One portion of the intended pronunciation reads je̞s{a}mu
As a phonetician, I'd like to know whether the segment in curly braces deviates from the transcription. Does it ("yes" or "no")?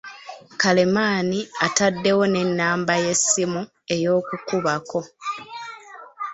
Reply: yes